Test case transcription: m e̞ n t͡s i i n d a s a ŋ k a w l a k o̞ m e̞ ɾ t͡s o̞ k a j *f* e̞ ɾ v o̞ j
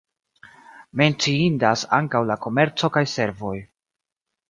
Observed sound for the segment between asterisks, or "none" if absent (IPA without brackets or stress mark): s